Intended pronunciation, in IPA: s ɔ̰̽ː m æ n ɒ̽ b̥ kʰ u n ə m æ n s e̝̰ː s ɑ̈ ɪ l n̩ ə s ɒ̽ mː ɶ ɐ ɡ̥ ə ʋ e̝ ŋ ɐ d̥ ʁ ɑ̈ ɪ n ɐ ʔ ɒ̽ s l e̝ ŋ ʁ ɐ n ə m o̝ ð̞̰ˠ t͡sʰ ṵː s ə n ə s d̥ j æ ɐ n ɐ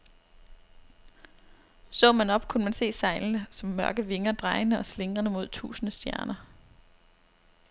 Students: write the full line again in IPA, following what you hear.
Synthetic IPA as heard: s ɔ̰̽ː m æ n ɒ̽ b̥ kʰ u n ə m æ n s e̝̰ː s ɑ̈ ɪ l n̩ ə s ɒ̽ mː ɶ ɐ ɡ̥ ə ʋ e̝ ŋ ɐ d̥ ʁ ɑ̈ ɪ n ə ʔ ɒ̽ s l e̝ ŋ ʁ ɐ n ə m o̝ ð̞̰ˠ t͡sʰ ṵː s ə n ə s d̥ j æ ɐ n ɐ